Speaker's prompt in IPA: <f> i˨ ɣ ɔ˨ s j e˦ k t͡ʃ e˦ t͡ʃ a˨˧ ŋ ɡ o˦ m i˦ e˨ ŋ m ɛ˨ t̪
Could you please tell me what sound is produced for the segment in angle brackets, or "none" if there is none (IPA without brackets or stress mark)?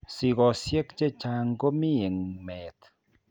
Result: s